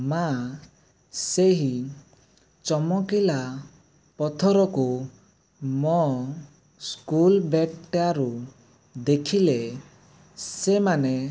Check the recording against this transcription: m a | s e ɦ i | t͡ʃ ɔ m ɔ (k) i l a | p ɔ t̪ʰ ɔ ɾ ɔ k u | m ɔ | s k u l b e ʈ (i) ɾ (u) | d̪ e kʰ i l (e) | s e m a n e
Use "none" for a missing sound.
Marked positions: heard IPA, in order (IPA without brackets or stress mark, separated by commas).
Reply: k, a, u, e